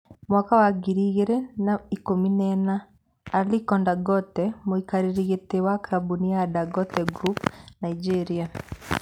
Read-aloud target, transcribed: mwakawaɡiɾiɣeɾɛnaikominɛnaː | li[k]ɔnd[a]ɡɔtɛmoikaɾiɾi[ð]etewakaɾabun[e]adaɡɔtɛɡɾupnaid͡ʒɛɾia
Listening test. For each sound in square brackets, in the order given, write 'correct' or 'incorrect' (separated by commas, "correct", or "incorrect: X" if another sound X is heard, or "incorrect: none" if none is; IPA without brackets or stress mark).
correct, correct, incorrect: ɣ, incorrect: i